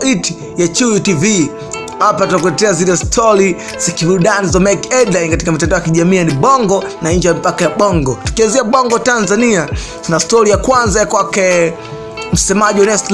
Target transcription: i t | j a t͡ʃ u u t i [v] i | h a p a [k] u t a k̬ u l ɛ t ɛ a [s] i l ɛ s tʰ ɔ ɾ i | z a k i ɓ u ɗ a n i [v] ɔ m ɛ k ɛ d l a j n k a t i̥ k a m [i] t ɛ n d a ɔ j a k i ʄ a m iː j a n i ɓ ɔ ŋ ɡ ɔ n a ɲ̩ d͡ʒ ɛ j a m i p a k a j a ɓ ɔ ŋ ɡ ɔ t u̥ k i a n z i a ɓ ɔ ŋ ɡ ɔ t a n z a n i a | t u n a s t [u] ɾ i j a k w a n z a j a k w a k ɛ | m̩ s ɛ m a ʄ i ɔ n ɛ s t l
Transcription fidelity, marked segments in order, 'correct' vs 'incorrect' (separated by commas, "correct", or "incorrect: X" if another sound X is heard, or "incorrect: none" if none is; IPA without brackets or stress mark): correct, incorrect: t, incorrect: z, incorrect: z, correct, incorrect: ɔ